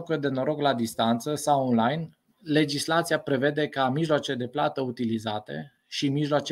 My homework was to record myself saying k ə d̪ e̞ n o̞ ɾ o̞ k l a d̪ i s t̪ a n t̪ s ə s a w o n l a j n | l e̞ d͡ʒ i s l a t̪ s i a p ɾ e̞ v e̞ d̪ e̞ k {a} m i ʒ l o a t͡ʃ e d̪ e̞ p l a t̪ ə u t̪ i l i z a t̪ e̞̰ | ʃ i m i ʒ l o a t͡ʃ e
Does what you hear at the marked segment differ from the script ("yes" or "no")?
no